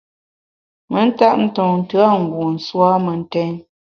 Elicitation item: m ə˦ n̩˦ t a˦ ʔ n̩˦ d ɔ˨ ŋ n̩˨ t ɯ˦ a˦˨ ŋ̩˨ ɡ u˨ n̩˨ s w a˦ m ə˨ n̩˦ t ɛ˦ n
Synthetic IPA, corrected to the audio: m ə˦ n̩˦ t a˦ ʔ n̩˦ t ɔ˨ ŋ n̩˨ t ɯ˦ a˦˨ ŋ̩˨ ɡ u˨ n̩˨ s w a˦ m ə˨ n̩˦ t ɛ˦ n